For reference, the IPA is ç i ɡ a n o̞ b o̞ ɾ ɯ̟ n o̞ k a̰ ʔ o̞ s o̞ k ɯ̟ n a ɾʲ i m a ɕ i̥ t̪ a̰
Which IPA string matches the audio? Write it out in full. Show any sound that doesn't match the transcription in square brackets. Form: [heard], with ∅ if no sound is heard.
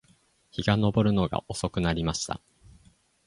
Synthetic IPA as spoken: ç i ɡ a n o̞ b o̞ ɾ ɯ̟ n o̞ [ɡ] a̰ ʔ o̞ s o̞ k ɯ̟ n a ɾʲ i m a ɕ i̥ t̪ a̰